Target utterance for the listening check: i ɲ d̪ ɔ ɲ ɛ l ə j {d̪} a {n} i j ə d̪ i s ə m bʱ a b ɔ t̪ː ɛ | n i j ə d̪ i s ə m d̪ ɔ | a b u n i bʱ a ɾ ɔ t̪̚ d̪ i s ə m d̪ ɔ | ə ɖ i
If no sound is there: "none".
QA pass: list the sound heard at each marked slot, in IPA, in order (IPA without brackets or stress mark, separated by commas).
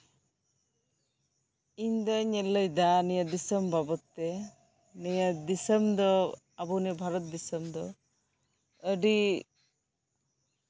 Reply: d̪, n